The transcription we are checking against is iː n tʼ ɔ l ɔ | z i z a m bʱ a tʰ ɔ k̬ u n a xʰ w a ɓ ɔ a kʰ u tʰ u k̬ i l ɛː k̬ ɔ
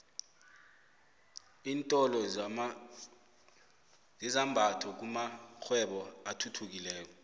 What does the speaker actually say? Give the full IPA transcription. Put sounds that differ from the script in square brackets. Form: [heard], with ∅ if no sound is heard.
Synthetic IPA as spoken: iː n tʼ ɔ l ɔ | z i z a m bʱ a tʰ ɔ k̬ u [m] a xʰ w [ɛ] ɓ ɔ a [tʰ] u tʰ u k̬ i l ɛː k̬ ɔ

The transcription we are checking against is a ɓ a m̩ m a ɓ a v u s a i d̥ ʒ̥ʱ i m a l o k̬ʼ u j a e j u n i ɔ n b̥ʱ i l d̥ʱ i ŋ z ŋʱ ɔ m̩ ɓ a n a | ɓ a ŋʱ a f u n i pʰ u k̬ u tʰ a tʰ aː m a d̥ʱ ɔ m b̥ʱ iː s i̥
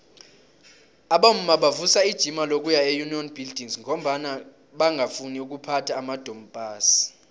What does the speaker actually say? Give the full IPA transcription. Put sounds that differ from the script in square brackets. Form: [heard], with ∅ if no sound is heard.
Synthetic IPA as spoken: a ɓ a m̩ m a ɓ a v u s a i d̥ ʒ̥ʱ i m a l o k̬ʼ u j a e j u n i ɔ n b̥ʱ i l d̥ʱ i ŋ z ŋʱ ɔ m̩ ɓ a n a | ɓ a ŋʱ a f u n i [∅] u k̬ u [pʰ] a tʰ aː m a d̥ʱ ɔ m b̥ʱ [aː] s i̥

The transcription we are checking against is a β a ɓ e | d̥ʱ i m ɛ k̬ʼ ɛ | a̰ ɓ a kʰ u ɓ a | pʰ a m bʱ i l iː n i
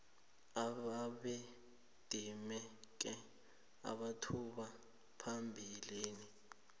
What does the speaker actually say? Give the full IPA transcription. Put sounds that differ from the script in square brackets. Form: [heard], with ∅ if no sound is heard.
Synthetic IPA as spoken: a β a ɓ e | d̥ʱ i m ɛ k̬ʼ ɛ | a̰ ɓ a [tʰ] u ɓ a | pʰ a m bʱ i l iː n i

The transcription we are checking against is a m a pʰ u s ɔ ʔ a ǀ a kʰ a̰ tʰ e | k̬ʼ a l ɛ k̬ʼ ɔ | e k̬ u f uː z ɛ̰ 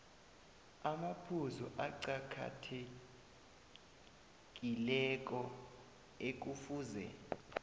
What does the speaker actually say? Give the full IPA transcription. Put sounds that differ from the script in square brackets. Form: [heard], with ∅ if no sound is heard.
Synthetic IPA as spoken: a m a pʰ u [z] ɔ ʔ a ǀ a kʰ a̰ tʰ e | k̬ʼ [i] l ɛ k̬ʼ ɔ | e k̬ u f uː z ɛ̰

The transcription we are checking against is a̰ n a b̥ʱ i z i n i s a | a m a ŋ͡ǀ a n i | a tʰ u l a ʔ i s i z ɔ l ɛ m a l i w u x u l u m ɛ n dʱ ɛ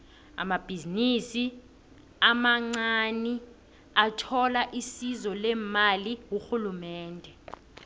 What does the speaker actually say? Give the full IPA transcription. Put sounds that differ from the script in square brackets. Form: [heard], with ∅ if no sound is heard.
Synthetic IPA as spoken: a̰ [m] a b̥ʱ i z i n i s [i] | a m a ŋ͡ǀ a n i | a tʰ [ɔ] l a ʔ i s i z ɔ l ɛ m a l i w u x u l u m [ɛː] n dʱ ɛ

